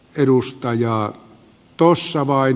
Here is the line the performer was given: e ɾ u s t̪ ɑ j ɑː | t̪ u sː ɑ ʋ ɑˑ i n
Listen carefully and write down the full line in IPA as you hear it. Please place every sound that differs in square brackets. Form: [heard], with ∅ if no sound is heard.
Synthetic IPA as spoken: e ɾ u s t̪ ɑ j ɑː | t̪ [o] sː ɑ ʋ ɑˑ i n